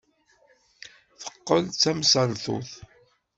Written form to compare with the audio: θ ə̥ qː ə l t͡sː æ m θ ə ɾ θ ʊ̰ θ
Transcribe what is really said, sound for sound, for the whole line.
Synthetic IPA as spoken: θ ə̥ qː ə l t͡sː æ m s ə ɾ θ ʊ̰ θ